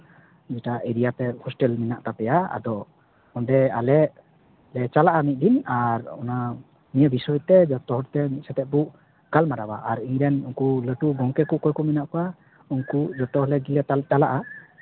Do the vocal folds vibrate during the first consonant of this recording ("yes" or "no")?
yes